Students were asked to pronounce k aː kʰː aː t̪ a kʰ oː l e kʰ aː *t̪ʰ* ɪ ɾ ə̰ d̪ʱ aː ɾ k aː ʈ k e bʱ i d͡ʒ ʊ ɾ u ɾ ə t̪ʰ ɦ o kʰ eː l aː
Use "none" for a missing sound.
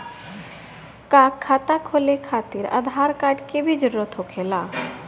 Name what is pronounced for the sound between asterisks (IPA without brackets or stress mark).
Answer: t̪